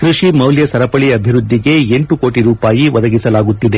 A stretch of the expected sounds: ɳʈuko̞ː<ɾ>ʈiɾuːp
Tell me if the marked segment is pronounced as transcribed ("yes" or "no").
no